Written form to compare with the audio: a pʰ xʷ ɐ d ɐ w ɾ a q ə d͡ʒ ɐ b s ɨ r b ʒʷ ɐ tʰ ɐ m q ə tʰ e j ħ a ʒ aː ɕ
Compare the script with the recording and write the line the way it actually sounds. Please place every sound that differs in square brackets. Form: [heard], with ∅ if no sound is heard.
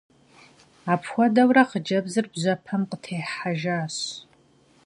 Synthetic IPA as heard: a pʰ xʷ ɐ d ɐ w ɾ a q ə d͡ʒ ɐ b [z] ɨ r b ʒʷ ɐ [pʰ] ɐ m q ə tʰ e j ħ a ʒ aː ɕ